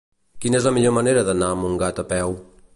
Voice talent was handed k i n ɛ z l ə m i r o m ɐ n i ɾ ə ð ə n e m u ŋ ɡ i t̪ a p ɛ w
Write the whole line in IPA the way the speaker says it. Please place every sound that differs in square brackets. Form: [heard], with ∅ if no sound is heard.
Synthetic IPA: k i n ɛ z l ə m i [ʎ] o m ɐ n [e] ɾ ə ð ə n [a] m u ŋ ɡ [a] t̪ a p ɛ w